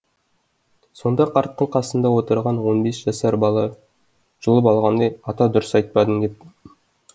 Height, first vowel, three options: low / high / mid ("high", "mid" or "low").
mid